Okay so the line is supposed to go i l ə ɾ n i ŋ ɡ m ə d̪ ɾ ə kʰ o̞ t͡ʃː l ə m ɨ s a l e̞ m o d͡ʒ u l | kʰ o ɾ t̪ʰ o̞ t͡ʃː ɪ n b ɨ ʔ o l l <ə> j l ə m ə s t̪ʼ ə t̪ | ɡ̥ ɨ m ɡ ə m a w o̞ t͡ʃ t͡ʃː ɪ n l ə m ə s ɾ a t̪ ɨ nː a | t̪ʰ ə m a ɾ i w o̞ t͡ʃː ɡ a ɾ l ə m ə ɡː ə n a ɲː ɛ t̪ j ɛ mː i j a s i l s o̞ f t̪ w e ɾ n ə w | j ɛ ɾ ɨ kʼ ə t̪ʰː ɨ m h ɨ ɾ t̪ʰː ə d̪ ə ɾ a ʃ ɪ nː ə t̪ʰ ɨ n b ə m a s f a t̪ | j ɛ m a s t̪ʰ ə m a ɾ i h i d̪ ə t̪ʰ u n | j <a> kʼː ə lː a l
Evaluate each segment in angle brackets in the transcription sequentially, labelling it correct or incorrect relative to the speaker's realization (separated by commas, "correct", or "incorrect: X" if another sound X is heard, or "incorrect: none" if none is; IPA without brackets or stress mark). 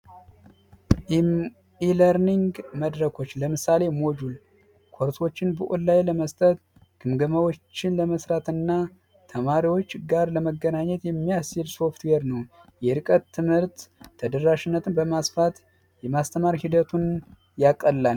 incorrect: a, correct